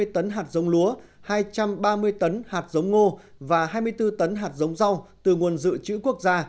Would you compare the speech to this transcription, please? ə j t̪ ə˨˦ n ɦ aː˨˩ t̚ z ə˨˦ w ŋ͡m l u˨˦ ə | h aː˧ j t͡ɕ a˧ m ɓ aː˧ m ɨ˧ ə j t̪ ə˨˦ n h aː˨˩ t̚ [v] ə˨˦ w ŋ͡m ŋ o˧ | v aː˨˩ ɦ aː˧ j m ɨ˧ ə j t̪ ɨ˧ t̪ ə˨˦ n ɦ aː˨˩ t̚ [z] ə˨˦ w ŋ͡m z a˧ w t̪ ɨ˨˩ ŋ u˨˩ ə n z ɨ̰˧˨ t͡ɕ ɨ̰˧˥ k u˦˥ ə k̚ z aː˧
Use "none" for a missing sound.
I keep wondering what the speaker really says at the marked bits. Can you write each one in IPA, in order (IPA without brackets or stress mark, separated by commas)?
z, z